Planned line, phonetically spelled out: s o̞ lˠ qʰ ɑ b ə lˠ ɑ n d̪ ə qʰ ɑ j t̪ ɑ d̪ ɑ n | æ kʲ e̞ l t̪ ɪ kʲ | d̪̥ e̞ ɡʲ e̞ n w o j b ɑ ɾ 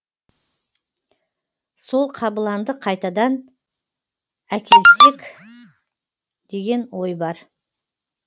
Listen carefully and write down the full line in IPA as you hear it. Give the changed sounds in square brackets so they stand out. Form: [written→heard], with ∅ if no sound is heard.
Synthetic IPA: s o̞ lˠ qʰ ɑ b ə lˠ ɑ n d̪ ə qʰ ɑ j t̪ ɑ d̪ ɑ n | æ kʲ e̞ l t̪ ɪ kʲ | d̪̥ e̞ ɡʲ e̞ n w o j b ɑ ɾ